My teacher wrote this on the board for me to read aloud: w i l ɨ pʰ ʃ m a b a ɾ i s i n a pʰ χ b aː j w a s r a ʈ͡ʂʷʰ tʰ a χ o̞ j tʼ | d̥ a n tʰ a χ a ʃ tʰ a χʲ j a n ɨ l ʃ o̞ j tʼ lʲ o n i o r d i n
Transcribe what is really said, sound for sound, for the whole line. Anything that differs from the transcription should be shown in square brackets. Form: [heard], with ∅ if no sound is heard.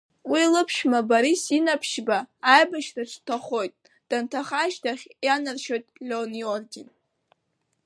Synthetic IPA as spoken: w i l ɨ pʰ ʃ m a b a ɾ i s i n a pʰ [ʃ] b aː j [b] a [ʃ] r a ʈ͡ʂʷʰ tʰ a χ o̞ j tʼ | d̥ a n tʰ a χ a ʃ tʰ a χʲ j a n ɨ [r] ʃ o̞ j tʼ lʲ o n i o r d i n